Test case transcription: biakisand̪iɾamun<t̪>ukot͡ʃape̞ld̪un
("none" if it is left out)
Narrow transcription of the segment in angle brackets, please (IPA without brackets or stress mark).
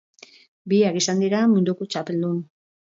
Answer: d̪